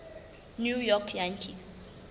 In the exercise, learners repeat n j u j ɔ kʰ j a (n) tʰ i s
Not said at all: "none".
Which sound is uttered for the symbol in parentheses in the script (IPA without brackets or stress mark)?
n